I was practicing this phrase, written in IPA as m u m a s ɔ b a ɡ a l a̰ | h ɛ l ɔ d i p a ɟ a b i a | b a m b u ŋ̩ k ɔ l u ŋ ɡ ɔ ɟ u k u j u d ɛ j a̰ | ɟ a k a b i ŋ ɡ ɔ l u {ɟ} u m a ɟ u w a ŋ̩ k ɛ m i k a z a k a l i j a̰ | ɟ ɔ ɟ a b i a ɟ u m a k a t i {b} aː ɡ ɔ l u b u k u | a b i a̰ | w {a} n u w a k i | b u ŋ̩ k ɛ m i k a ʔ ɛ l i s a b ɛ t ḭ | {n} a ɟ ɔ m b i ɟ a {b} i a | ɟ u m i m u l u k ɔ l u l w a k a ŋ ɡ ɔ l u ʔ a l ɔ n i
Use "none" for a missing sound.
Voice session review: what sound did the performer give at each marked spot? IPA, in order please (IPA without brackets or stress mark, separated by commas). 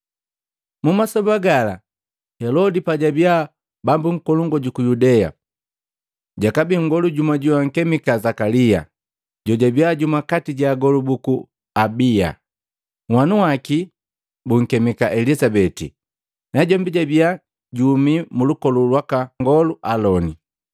ɟ, ɟ, a, n, b